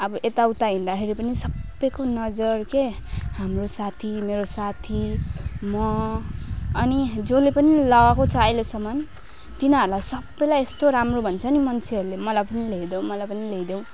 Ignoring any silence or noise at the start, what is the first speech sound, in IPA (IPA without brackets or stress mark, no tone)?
ʌ